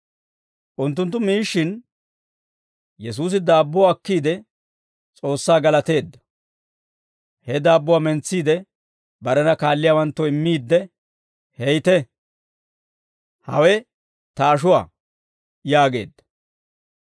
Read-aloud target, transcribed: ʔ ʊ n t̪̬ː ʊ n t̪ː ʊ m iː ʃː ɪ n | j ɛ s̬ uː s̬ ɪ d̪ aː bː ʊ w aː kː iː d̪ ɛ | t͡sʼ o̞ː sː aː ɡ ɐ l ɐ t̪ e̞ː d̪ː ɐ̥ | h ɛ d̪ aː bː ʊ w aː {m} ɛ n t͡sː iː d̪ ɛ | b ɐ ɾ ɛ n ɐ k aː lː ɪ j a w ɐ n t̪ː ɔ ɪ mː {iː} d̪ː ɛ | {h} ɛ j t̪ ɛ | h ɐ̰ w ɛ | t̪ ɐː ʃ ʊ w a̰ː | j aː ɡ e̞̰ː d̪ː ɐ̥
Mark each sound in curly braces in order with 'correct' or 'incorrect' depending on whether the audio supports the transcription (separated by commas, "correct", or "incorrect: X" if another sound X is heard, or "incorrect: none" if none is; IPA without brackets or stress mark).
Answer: correct, correct, correct